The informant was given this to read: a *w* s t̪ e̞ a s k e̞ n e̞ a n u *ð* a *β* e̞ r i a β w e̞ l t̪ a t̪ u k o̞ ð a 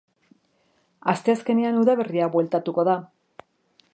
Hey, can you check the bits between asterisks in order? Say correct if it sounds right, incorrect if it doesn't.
incorrect, correct, correct

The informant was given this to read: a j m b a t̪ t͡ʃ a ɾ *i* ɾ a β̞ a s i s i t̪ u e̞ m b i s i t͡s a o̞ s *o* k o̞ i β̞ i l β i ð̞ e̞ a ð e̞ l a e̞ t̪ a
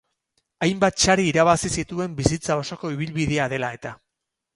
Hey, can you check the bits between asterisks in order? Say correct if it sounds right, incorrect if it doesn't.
incorrect, correct

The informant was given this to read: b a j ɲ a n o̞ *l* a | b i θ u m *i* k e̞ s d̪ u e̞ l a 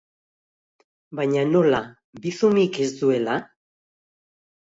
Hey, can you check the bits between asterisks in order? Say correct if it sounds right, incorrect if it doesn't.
correct, correct

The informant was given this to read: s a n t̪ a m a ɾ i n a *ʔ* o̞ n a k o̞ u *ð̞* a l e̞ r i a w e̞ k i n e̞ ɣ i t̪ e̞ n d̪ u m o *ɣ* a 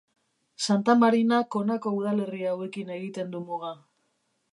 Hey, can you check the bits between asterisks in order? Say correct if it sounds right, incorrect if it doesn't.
incorrect, correct, correct

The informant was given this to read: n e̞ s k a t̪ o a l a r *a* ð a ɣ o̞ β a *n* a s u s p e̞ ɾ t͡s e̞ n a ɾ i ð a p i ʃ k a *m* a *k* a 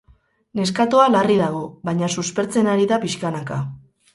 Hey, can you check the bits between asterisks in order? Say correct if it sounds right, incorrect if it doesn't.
incorrect, incorrect, incorrect, correct

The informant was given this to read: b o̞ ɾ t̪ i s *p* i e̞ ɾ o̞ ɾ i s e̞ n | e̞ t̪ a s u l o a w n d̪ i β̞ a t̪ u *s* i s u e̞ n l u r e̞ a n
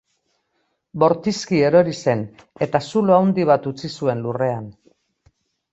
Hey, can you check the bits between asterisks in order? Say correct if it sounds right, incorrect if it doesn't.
incorrect, incorrect

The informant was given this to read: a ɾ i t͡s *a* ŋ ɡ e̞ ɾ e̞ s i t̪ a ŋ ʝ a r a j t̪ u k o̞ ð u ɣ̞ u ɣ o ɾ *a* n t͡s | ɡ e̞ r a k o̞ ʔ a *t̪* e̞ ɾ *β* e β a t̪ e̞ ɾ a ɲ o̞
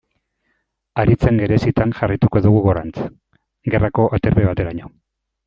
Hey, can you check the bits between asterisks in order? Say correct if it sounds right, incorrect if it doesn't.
incorrect, correct, correct, correct

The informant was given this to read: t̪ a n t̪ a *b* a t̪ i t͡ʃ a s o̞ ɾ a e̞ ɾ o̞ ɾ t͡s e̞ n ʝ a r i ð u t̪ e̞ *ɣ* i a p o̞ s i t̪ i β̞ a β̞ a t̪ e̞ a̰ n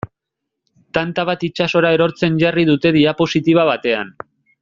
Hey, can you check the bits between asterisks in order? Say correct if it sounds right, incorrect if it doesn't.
incorrect, incorrect

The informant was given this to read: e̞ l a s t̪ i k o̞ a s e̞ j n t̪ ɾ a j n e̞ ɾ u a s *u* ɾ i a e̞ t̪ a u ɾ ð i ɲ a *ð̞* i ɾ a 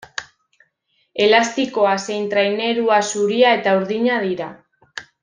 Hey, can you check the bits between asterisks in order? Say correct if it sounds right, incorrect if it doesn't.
correct, correct

